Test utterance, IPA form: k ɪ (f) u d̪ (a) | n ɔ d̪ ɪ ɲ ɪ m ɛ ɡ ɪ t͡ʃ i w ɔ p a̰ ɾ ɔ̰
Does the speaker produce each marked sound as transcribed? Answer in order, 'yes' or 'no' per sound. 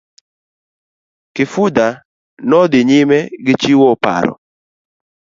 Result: yes, yes

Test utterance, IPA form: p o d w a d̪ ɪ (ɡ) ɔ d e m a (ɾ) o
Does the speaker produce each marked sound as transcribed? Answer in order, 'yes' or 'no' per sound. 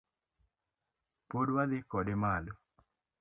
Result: no, no

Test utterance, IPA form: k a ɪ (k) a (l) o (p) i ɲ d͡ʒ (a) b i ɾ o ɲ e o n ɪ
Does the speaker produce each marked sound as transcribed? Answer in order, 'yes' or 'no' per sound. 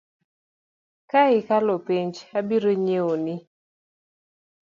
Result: yes, yes, yes, yes

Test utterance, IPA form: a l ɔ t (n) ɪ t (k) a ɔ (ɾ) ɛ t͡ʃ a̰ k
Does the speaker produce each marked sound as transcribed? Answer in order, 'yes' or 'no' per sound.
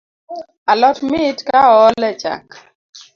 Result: no, yes, no

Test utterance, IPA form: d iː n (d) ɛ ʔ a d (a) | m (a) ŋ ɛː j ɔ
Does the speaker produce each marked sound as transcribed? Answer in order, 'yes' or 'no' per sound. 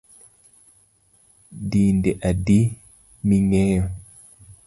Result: yes, no, no

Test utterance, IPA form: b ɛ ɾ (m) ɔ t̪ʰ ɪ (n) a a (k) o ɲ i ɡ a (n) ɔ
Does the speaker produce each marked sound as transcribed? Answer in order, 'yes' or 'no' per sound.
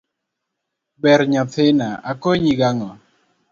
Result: no, yes, yes, no

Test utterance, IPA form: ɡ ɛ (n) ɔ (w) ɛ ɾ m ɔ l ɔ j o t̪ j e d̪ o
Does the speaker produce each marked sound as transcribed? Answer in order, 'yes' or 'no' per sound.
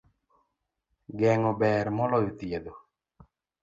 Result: no, no

